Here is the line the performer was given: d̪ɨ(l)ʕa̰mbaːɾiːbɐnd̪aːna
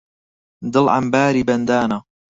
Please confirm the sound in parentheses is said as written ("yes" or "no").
yes